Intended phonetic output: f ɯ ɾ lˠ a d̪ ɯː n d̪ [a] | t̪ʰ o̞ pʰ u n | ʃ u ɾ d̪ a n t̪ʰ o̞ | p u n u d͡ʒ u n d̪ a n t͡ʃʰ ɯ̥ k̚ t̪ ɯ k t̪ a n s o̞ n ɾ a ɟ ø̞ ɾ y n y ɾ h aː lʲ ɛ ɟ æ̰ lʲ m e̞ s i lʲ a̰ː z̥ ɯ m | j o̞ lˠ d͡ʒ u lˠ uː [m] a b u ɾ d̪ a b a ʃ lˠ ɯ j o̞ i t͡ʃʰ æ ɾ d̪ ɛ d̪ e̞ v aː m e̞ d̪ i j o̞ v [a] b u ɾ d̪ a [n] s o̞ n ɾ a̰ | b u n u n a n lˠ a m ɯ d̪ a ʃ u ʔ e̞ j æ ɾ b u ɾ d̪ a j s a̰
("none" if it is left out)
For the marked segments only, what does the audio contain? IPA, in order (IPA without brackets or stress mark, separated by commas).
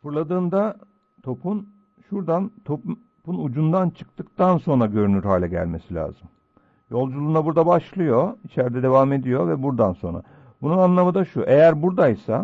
a, n, ɛ, n